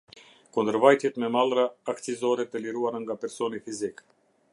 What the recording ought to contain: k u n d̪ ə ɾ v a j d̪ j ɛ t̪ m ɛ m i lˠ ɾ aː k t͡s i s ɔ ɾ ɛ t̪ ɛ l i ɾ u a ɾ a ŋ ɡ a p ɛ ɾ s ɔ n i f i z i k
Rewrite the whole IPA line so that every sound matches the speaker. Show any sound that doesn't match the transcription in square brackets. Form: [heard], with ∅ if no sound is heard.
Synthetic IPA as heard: k u n d̪ ə ɾ v a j [t̪] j ɛ t̪ m ɛ m [a] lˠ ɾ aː k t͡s i [z] ɔ ɾ ɛ t̪ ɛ l i ɾ u a ɾ a ŋ ɡ a p ɛ ɾ s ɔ n i f i z i k